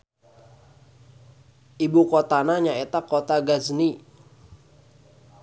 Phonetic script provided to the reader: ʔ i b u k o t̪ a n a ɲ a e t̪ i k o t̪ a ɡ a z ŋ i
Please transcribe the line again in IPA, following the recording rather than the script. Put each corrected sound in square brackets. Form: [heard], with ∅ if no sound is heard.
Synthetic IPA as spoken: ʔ i b u k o t̪ a n a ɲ a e t̪ [a] k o t̪ a ɡ a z [n] i